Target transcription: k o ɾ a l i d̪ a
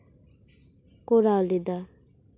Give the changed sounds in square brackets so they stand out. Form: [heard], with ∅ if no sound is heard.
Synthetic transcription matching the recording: k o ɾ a l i d̪ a